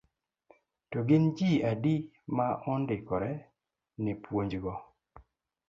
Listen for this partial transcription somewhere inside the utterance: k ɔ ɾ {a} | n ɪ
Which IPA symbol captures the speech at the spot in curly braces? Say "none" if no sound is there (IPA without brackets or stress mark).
ɛ